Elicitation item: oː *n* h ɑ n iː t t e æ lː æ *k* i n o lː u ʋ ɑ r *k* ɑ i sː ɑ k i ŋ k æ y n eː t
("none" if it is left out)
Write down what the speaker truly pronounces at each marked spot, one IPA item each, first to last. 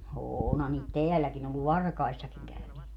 n, k, k

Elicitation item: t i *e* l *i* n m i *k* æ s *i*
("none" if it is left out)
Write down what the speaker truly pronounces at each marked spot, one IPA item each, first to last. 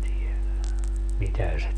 e, æ, t, e

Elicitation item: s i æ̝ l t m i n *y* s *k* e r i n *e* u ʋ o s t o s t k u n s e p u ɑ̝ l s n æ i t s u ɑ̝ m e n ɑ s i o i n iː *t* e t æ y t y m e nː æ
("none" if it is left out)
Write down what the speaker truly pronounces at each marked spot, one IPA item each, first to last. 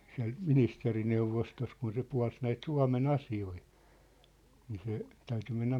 i, t, e, s

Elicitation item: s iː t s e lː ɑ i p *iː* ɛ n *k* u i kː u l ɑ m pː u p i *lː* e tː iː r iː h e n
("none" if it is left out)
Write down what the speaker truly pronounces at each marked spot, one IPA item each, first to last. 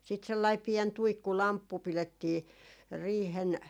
i, t, l

